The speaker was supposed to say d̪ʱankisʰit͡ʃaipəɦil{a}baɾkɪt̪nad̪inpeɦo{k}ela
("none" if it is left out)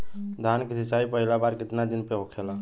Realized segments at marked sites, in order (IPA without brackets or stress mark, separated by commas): a, kʰ